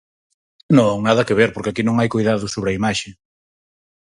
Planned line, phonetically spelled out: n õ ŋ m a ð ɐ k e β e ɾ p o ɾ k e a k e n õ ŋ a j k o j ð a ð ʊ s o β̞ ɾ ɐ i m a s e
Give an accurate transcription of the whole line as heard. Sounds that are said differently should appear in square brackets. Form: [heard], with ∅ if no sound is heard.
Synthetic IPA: n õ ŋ [n] a ð ɐ k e β e ɾ p o ɾ k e a k [i] n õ ŋ a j k o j ð a ð ʊ s o β̞ ɾ ɐ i m a [ʃ] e

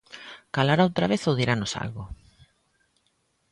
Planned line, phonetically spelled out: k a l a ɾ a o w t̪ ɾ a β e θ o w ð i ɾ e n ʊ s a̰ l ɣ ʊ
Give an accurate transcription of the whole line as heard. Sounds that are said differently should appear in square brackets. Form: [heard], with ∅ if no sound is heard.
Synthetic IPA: k a l a ɾ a o w t̪ ɾ a β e θ o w ð i ɾ [a] n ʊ s a̰ l ɣ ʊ

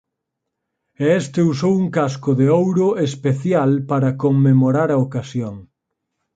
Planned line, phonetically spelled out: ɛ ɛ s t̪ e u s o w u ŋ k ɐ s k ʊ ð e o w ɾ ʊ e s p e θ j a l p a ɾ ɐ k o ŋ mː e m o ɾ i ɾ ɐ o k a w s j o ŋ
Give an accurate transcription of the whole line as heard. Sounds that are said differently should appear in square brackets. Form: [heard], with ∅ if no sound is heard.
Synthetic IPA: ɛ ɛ s t̪ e u s o w u ŋ k [a] s k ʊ ð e o w ɾ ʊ e s p e θ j a l p a ɾ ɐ k o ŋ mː e m o ɾ [a] ɾ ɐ o k a [∅] s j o ŋ

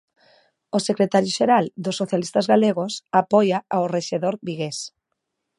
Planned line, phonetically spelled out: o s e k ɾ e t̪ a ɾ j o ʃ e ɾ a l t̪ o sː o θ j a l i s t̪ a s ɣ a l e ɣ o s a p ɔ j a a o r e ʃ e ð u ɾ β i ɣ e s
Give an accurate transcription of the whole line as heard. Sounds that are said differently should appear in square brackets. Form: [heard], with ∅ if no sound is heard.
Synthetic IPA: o s e k ɾ e t̪ a ɾ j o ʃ e ɾ a l [d̪] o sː o θ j a l i s t̪ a [z] ɣ a l e ɣ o s a p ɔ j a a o r e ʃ e ð [o] ɾ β i ɣ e s

